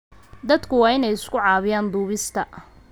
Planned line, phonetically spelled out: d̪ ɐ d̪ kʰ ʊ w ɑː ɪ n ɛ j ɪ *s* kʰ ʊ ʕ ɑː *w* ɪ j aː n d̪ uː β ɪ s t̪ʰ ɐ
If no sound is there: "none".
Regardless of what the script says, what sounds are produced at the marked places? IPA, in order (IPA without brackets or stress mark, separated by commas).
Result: s, β